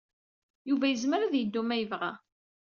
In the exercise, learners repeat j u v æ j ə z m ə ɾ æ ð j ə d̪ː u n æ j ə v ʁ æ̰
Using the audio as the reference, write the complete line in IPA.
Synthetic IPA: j u v æ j ə z m ə ɾ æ ð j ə d̪ː u m æ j ə v ʁ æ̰